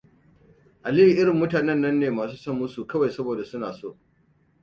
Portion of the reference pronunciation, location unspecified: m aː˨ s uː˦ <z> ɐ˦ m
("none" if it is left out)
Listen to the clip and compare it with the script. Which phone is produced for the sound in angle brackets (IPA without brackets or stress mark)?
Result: s